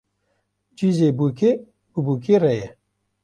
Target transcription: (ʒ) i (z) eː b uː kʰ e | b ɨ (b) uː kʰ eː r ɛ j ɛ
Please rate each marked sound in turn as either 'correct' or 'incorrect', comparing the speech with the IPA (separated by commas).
incorrect, correct, correct